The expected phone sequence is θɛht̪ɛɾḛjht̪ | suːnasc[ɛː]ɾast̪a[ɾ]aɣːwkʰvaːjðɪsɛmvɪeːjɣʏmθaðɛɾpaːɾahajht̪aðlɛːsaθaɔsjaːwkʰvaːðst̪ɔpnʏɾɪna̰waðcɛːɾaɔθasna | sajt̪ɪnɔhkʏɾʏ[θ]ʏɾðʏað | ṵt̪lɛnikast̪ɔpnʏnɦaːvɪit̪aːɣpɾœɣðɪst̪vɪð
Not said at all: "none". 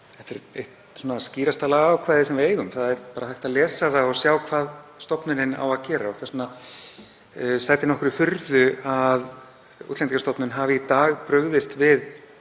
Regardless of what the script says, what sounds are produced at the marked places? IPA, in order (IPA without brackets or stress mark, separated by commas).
iː, l, θ